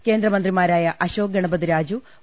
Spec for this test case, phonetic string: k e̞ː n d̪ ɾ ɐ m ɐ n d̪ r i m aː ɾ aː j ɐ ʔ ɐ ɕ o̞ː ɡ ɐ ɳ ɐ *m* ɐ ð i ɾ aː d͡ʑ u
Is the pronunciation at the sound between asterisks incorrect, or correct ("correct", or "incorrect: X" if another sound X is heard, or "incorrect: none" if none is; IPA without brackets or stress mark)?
incorrect: b